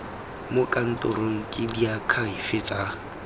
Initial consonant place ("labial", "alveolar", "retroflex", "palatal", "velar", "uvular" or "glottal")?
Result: labial